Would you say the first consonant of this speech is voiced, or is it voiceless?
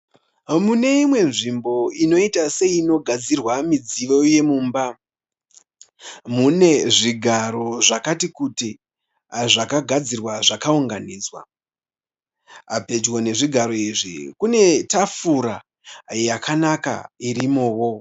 voiced